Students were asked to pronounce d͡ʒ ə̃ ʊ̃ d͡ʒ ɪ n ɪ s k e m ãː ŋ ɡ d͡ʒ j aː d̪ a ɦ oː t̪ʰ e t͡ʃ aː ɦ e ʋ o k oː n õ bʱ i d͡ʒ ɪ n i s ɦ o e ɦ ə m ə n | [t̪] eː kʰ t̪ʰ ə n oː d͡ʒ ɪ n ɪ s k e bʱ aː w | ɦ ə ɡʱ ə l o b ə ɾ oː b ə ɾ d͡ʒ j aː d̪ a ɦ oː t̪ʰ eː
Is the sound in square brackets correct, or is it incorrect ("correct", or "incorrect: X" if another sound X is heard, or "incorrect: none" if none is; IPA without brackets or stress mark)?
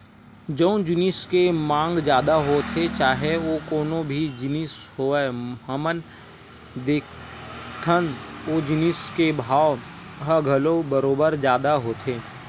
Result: incorrect: d̪